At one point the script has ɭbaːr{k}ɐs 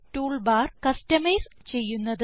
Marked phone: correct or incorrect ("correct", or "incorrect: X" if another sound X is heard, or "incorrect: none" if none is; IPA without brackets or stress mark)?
correct